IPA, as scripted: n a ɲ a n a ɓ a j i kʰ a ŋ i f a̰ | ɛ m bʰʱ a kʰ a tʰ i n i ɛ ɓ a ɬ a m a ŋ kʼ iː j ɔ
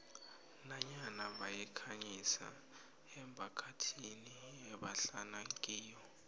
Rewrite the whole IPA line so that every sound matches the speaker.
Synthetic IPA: n a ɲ a n a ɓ a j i kʰ a ɲ i s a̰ | ɛ m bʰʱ a kʰ a tʰ i n i ɛ ɓ a ɬ a n a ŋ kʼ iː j ɔ